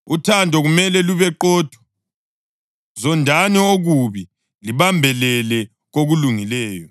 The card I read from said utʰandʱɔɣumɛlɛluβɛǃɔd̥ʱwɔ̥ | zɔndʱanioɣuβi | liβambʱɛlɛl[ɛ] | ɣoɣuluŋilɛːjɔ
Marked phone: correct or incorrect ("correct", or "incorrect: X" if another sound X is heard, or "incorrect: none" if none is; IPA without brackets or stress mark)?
correct